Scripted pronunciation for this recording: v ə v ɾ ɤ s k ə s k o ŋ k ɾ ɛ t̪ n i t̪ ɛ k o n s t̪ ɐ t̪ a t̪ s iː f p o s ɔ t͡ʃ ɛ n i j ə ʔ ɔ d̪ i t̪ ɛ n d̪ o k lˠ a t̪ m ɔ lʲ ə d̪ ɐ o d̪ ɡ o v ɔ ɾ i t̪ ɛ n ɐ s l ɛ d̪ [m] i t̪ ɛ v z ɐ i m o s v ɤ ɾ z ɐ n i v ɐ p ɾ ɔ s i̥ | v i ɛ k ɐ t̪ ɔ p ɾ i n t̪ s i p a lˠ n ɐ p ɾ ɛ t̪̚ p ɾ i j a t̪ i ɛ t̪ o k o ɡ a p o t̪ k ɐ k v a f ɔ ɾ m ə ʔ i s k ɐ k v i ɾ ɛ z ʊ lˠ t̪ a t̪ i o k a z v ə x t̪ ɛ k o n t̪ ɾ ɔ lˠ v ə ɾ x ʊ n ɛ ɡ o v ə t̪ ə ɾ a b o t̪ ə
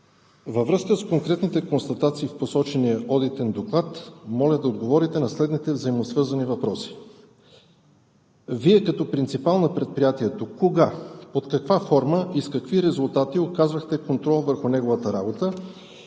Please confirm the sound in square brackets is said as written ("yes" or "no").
no